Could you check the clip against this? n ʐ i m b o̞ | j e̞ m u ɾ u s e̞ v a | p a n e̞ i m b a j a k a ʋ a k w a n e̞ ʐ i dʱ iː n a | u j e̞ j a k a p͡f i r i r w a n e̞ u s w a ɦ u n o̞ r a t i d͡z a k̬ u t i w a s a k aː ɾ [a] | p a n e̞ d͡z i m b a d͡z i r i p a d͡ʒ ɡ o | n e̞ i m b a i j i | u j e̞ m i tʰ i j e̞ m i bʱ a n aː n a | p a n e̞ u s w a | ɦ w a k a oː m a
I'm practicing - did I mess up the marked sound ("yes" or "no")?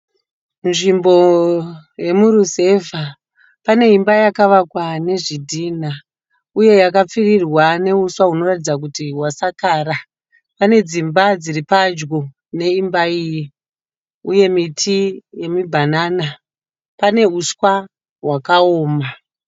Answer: no